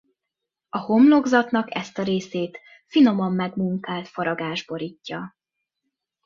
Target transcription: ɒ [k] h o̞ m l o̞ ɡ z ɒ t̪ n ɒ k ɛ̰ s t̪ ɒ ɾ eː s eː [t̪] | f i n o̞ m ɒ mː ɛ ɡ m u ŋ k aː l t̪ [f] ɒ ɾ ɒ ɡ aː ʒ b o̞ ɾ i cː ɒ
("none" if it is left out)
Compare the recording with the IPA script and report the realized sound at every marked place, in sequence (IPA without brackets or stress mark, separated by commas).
none, t̪, f